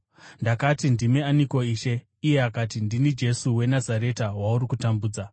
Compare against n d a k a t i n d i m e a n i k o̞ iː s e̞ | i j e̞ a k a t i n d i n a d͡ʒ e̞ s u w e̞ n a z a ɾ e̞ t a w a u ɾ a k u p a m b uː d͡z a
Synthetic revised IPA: n d a k a t i n d i m e a n i k o̞ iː ʃ e̞ | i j e̞ a k a t i n d i n i d͡ʒ e̞ s u w e̞ n a z a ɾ e̞ t a w a u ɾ i k u t a m b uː d͡z a